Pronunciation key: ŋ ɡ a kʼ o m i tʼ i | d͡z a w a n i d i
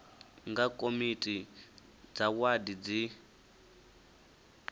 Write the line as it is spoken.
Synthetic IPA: ŋ ɡ a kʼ o m i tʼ i | d͡z a w a d i d͡z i